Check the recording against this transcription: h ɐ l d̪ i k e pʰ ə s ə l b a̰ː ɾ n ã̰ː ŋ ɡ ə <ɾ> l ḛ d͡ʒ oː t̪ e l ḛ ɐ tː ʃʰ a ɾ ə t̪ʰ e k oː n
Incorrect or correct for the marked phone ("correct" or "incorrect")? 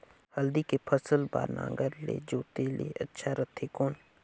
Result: correct